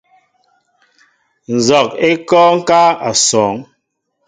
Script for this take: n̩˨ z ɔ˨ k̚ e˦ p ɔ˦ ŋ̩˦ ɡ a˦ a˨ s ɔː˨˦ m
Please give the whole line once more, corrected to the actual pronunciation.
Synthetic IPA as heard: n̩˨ z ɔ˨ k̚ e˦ k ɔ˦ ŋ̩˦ k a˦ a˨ s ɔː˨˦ ŋ